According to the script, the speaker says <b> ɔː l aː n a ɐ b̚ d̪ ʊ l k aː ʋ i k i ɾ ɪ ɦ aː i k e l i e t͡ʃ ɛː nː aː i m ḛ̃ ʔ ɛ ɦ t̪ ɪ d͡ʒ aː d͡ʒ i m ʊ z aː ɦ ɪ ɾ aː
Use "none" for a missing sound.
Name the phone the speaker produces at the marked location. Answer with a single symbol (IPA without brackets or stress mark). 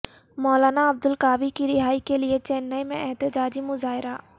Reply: m